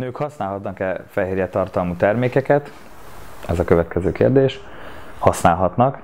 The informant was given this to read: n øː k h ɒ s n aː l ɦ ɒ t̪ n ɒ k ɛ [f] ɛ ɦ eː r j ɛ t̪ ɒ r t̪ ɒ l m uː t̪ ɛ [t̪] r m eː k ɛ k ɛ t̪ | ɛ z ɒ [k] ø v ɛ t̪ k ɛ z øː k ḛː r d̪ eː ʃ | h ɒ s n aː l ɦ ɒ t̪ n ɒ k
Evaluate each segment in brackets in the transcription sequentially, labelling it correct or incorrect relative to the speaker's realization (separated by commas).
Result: correct, incorrect, correct